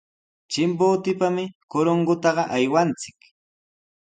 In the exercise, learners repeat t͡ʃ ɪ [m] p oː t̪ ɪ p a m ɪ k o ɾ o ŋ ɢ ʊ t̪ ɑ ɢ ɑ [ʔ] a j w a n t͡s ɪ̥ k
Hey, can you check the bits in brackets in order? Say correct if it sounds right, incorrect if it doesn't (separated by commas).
correct, correct